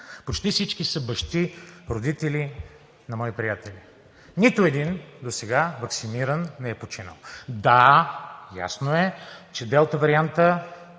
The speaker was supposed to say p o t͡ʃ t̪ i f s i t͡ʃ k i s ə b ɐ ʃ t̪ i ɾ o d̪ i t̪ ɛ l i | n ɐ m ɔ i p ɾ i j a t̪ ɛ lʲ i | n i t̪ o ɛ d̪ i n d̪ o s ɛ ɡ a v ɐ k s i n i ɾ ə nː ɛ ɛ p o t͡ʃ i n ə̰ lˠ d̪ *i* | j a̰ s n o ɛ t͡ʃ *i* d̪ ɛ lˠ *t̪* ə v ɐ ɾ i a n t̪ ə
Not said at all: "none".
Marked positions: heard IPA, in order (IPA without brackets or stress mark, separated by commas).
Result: a, ɛ, t̪